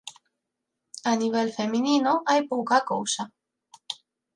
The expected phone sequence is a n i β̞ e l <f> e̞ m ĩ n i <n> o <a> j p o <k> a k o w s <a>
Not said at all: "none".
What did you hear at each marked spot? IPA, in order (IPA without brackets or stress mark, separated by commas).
f, n, a, k, a